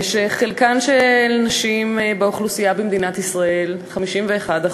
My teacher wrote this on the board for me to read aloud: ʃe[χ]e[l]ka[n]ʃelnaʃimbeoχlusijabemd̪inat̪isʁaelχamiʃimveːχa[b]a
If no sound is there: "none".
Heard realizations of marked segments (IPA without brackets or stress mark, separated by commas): χ, l, n, d